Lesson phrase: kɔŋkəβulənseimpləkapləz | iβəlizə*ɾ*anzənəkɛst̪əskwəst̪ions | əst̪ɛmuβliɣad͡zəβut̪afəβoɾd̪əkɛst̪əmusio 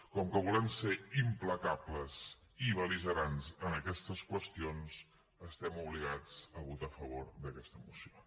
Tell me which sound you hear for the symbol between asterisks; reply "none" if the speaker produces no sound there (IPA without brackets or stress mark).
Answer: ɾ